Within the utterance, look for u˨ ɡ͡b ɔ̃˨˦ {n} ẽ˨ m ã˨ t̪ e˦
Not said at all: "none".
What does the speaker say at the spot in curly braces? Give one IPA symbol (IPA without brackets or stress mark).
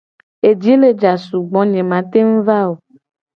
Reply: ɲ